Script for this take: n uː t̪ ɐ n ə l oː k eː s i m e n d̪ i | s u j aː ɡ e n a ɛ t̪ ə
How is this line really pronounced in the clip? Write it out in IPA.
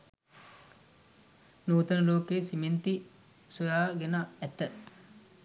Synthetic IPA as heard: n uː t̪ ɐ n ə l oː k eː s i m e n t̪ i | s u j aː ɡ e n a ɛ t̪ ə